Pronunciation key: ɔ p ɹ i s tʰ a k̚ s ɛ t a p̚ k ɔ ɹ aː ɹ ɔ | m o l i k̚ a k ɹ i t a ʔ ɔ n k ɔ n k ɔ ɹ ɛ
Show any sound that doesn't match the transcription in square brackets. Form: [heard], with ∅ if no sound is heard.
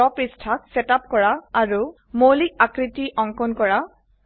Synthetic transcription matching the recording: ɔ p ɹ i s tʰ a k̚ s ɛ t a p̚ k ɔ ɹ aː ɹ [u] | m o l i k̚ a k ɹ i t [i] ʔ ɔ [ŋ] k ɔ n k ɔ ɹ [a]